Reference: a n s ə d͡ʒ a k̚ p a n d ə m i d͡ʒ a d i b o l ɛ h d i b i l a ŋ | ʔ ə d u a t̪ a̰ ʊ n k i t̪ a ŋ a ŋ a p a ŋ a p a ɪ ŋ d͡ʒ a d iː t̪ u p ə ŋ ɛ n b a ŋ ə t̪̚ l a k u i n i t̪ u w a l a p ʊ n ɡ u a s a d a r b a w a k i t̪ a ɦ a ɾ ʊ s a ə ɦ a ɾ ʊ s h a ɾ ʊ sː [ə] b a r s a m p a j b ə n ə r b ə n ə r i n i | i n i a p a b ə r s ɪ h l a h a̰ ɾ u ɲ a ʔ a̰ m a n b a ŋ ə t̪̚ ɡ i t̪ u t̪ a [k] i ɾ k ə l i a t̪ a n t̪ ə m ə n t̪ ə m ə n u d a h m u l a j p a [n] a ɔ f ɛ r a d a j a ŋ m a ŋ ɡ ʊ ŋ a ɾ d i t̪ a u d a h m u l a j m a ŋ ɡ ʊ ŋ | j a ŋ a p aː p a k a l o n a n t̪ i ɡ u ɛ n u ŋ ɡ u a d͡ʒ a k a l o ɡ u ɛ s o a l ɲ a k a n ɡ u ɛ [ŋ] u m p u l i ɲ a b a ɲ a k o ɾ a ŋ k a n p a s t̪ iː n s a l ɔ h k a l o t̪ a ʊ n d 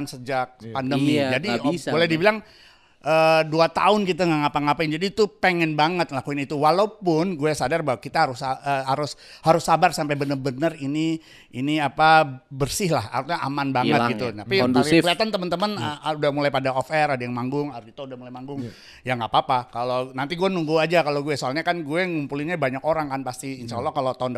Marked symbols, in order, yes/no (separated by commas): no, no, no, yes